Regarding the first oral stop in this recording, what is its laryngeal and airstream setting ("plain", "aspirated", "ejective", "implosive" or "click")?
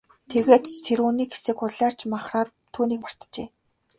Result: aspirated